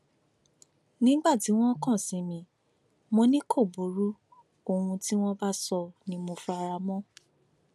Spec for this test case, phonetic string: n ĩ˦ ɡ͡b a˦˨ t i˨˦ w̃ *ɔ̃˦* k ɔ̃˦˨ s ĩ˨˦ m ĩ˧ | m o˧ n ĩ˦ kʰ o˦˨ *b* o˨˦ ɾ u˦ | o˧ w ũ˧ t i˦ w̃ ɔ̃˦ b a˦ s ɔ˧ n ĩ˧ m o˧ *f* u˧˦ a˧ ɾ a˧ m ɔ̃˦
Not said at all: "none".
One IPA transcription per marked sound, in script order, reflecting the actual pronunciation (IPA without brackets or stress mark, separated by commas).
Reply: ɔ̃˦, b, f